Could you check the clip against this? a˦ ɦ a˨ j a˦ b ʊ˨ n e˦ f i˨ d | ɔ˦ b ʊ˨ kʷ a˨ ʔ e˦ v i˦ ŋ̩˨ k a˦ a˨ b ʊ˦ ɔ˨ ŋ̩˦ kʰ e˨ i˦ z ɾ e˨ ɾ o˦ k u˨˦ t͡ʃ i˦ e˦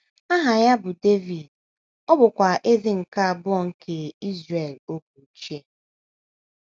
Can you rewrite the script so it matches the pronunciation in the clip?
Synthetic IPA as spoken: a˦ ɦ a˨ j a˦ b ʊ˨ d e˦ v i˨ d | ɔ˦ b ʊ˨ kʷ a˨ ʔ e˦ z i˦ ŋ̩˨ k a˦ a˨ b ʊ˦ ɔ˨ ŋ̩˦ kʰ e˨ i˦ z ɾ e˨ l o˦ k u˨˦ t͡ʃ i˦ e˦